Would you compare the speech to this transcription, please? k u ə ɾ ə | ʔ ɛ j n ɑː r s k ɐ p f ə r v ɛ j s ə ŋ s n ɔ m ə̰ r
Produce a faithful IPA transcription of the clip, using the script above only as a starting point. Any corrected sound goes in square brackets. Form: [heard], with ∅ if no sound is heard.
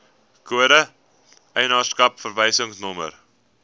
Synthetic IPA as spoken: k u ə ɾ ə | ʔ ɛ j n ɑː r s k ɐ p f ə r v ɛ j s ə ŋ s n ɔ m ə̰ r